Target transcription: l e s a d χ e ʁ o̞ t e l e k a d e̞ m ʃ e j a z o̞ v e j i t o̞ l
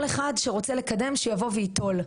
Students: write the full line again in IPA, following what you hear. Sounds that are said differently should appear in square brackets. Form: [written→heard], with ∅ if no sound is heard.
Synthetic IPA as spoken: l e [s→χ] a d [χ→ʃ] e ʁ o̞ [t→t͡s] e l e k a d e̞ m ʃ e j a [z→v] o̞ v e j i t o̞ l